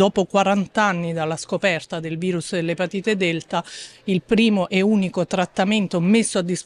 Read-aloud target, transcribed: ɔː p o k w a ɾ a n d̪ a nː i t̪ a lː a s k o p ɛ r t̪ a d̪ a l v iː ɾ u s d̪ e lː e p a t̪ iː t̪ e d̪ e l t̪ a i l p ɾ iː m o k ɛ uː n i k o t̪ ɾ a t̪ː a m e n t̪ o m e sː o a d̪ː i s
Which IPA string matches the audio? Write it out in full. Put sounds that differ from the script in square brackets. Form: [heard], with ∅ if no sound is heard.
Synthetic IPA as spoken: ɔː p o k w a ɾ a n [t̪] a nː i [d̪] a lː a s k o p ɛ r t̪ a d̪ [e] l v iː ɾ u s d̪ e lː e p a t̪ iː t̪ e d̪ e l t̪ a i l p ɾ iː m o [ʔ] ɛ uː n i k o t̪ ɾ a t̪ː a m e n t̪ o m e sː o a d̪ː i s